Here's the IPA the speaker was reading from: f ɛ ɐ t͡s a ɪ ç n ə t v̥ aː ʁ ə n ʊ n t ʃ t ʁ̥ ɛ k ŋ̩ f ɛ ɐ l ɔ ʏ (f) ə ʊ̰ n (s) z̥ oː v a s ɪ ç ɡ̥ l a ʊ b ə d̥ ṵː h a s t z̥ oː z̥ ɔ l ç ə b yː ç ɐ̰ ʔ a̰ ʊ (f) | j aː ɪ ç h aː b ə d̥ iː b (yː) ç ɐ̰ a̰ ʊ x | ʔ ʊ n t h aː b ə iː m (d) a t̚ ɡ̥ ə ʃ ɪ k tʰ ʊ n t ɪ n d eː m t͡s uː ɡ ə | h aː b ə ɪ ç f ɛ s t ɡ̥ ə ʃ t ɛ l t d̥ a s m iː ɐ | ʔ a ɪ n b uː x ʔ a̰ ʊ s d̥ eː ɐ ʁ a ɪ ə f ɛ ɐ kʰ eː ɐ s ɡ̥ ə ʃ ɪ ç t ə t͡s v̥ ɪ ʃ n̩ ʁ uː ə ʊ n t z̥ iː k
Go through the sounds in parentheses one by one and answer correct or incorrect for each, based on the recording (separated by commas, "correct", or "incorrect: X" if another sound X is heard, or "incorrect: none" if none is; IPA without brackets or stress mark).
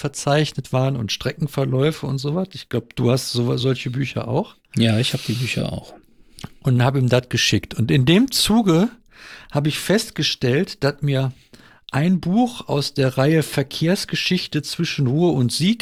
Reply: correct, incorrect: t, incorrect: x, correct, correct